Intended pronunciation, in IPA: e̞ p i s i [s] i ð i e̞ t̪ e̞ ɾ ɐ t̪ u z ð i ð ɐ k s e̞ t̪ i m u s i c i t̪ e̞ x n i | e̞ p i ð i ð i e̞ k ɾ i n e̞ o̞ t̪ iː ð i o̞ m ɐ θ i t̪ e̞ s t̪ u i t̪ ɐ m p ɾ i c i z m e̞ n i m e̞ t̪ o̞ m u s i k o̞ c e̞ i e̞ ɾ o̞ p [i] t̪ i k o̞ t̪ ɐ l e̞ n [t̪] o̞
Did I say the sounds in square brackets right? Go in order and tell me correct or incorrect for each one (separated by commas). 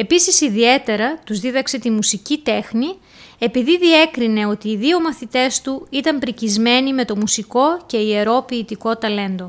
correct, incorrect, incorrect